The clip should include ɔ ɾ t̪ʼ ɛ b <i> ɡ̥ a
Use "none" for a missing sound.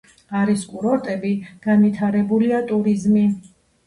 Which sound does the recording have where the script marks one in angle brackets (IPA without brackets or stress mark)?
i